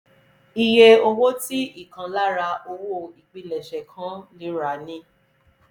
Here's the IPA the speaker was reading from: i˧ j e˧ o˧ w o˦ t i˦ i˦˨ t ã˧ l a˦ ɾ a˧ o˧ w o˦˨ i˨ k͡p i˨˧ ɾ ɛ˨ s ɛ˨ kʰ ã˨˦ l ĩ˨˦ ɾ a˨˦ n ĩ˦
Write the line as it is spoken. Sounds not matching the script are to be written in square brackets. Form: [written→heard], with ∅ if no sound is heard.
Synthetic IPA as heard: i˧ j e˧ o˧ w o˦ t i˦ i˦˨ [t→k] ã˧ l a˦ ɾ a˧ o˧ w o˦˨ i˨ k͡p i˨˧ [ɾ→l] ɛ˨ [s→ʃ] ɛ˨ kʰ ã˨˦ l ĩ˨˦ ɾ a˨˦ n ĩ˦